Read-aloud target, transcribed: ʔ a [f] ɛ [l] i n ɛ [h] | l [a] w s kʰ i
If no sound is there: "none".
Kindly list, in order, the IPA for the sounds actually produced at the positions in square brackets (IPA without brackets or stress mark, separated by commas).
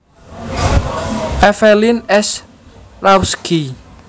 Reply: f, l, s, a